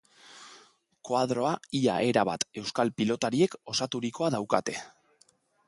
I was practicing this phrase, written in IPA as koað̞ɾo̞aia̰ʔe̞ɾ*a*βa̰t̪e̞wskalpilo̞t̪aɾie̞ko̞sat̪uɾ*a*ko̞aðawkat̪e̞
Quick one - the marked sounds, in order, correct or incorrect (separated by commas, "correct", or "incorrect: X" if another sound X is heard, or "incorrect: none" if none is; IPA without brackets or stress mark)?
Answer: correct, incorrect: i